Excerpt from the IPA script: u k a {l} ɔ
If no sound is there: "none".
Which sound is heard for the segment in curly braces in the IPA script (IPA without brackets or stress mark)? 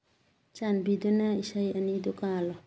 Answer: l